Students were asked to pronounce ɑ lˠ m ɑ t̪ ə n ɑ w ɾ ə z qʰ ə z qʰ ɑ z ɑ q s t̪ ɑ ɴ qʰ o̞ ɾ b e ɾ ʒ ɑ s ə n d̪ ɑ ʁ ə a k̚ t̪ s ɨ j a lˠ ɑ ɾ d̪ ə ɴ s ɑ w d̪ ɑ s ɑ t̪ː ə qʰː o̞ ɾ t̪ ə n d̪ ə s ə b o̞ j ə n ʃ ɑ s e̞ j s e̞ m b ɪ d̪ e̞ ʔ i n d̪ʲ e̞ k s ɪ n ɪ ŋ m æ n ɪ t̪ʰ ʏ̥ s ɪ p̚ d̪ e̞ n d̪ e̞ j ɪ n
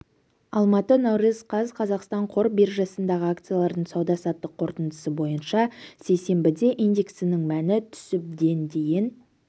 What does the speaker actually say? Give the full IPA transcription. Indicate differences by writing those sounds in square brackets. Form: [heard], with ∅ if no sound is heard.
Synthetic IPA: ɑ lˠ m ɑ t̪ ə n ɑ w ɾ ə z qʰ [ɑ] z qʰ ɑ z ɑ q s t̪ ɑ ɴ qʰ o̞ ɾ b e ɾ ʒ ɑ s ə n d̪ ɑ ʁ ə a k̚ t̪ s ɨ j a lˠ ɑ ɾ d̪ ə ɴ s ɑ w d̪ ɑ s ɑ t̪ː ə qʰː o̞ ɾ t̪ ə n d̪ ə s ə b o̞ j ə n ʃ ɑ s e̞ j s e̞ m b ɪ d̪ e̞ ʔ i n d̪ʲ e̞ k s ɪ n ɪ ŋ m æ n ɪ t̪ʰ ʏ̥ s ɪ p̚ d̪ e̞ n d̪ e̞ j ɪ n

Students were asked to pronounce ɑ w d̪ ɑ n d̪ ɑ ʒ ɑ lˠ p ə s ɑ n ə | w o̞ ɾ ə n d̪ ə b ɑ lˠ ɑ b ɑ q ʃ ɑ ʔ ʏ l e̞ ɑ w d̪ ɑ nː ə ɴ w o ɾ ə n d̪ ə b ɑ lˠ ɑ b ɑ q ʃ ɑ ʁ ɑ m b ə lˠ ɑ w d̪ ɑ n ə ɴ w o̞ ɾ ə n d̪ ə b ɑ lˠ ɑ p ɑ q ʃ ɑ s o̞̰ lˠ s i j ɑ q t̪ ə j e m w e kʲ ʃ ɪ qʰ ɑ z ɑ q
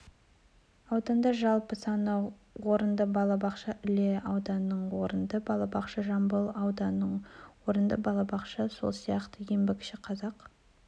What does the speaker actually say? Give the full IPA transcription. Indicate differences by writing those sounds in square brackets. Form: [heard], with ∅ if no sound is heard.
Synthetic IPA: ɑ w d̪ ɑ n d̪ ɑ ʒ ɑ lˠ p ə s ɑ n ə | w o̞ ɾ ə n d̪ ə b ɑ lˠ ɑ b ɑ q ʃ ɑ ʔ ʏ l e̞ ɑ w d̪ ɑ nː ə ɴ w o ɾ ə n d̪ ə b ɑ lˠ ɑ b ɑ q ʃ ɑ [ʒ] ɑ m b ə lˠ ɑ w d̪ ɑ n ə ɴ w o̞ ɾ ə n d̪ ə b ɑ lˠ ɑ [b] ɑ q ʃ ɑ s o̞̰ lˠ s i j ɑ q t̪ ə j e m [b] e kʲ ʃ ɪ qʰ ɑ z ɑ q

